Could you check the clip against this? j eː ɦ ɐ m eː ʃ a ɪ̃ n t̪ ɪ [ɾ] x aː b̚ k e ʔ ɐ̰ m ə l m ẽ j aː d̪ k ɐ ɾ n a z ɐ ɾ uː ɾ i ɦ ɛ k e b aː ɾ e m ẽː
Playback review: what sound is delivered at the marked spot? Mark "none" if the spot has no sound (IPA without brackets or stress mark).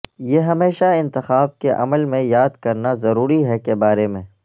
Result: none